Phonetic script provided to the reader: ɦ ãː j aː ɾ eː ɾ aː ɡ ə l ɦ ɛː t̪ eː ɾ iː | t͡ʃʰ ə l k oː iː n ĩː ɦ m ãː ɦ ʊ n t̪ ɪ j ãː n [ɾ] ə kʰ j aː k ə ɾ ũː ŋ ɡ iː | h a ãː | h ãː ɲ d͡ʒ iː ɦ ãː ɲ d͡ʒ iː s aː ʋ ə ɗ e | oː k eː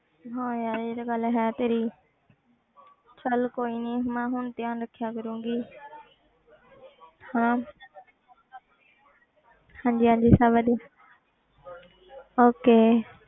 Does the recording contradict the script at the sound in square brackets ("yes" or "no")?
no